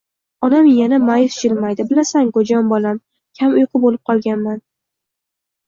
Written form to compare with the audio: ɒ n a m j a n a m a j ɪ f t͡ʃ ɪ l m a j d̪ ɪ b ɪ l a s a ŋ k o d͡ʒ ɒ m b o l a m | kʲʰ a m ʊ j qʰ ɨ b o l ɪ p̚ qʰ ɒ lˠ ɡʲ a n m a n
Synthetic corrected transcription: ɒ n a m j a n a m a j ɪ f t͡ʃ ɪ l m a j d̪ ɪ b ɪ l a s a ŋ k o d͡ʒ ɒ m b ɒ l a m | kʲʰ a m ʊ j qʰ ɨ b o l ɪ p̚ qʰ ɒ lˠ ɡʲ a n m a n

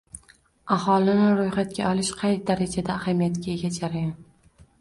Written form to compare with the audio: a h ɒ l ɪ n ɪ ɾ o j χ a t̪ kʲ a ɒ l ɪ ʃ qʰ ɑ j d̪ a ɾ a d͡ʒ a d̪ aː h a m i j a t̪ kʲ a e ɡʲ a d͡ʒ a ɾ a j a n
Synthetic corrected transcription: a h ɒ l ɪ n ɪ ɾ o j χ a t̪ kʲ a ɒ l ɪ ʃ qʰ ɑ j d̪ a ɾ a d͡ʒ a d̪ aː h a m i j a t̪ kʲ a e ɡʲ a d͡ʒ a ɾ a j a n

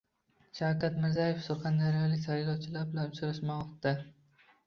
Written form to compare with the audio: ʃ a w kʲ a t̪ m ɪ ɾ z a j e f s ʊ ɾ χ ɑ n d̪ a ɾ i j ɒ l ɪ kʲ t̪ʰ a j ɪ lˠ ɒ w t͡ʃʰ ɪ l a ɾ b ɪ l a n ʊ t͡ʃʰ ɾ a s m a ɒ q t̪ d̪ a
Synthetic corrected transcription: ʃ a w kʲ a t̪ m ɪ ɾ z a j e f s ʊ ɾ χ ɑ n d̪ a ɾ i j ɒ l ɪ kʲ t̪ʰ a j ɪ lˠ ɒ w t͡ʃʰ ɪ l a ɾ b ɪ l a n ʊ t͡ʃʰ ɾ a ʃ m a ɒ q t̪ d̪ a

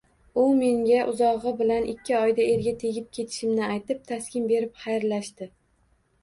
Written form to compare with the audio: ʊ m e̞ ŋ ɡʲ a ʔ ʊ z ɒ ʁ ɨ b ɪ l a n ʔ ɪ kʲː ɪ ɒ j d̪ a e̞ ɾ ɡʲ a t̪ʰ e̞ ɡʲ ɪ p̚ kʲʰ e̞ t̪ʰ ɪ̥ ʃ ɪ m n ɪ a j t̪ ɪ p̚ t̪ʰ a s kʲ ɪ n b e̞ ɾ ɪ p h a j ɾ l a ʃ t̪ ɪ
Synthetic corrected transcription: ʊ m e̞ ŋ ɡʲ a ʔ ʊ z ɒ ʁ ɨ b ɪ l a n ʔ ɪ kʲː ɪ ɒ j d̪ a e̞ ɾ ɡʲ a t̪ʰ e̞ ɡʲ ɪ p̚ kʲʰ e̞ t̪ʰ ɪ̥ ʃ ɪ m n ɪ a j t̪ ɪ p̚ t̪ʰ a s kʲ ɪ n b e̞ ɾ ɪ p χ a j ɾ l a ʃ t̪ ɪ

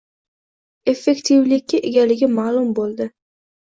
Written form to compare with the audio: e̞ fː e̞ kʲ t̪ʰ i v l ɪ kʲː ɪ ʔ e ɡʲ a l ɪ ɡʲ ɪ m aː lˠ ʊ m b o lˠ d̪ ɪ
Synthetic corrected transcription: e̞ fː e̞ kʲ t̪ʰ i v l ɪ kʲː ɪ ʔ e ɡʲ a l ɪ ɡʲ ɪ m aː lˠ ʊ m b o lˠ d̪ ɪ

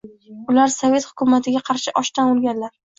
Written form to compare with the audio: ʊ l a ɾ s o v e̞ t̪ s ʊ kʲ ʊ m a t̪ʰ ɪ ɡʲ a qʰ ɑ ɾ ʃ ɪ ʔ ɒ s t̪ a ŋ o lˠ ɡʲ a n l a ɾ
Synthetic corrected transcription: ʊ l a ɾ s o v e̞ t̪ h ʊ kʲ ʊ m a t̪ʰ ɪ ɡʲ a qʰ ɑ ɾ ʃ ɪ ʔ ɒ ʃ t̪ a n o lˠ ɡʲ a n l a ɾ

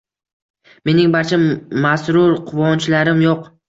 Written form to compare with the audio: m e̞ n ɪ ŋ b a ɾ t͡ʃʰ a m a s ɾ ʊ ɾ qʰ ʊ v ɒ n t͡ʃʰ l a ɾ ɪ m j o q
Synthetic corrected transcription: m e̞ n ɪ ŋ b a ɾ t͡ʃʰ a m a s ɾ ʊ ɾ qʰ ʊ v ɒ n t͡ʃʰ l a ɾ ɪ m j o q

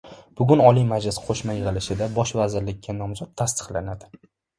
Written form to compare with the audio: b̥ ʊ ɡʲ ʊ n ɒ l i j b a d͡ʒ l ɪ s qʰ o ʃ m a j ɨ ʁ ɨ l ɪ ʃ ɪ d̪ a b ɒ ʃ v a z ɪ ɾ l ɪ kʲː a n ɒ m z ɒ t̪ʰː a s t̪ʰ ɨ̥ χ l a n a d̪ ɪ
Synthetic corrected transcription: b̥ ʊ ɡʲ ʊ n ɒ l i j m a d͡ʒ l ɪ s qʰ o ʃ m a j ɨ ʁ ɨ l ɪ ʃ ɪ d̪ a b ɒ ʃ v a z ɪ ɾ l ɪ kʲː a n ɒ m z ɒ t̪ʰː a s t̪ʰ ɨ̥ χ l a n a d̪ ɪ

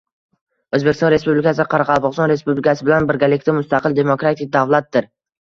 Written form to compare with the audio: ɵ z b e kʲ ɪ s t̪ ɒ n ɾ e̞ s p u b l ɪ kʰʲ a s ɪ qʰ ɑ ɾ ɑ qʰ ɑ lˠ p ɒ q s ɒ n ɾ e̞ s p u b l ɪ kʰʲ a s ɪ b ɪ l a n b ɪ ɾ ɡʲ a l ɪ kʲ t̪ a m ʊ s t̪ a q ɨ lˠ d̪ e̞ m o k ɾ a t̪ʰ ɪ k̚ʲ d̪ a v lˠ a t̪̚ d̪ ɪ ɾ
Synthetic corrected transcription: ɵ z b e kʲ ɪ s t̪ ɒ n ɾ e̞ s p u b l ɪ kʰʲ a s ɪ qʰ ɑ ɾ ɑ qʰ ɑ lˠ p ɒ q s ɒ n ɾ e̞ s p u b l ɪ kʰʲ a s ɪ b ɪ l a n b ɪ ɾ ɡʲ a l ɪ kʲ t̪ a m ʊ s t̪ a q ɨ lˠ d̪ e̞ m o k ɾ a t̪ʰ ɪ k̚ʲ d̪ a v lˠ a t̪̚ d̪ ɪ ɾ

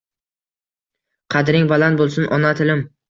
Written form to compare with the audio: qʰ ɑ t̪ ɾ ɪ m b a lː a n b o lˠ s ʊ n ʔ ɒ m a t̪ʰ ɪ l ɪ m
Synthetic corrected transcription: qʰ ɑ d̪ ɾ ɪ ŋ b a l a n b o lˠ s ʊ n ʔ ɒ n a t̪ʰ ɪ l ɪ m

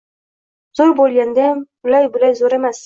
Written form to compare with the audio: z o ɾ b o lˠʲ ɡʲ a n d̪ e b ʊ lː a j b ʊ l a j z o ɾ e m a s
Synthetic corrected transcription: z o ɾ b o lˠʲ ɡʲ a n d̪ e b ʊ l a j b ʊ l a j z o ɾ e m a s

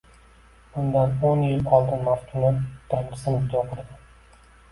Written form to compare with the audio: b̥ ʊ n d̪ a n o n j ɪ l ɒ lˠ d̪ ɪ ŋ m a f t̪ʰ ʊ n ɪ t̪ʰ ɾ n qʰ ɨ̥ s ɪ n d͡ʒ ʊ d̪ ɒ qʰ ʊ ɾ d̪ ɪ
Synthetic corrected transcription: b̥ ʊ n d̪ a n o n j ɪ l ɒ lˠ d̪ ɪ n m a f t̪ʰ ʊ n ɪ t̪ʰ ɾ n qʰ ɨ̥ s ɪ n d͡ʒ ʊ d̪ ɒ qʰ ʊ ɾ d̪ ɪ

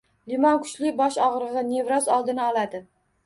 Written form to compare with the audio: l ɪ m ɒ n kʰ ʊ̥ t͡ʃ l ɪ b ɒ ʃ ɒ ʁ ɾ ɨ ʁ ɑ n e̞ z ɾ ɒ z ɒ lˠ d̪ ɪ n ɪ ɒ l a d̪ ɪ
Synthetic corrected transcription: l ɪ m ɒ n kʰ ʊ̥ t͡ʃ l ɪ b ɒ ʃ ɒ ʁ ɾ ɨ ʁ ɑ n e̞ v ɾ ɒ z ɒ lˠ d̪ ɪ n ɪ ɒ l a d̪ ɪ

